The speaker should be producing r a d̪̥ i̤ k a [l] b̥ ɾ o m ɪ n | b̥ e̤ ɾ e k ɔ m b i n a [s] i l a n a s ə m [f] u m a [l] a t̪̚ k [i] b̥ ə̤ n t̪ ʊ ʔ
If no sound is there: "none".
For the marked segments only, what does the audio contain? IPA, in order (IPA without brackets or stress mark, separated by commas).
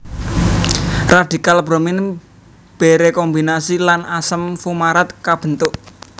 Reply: l, s, f, ɾ, a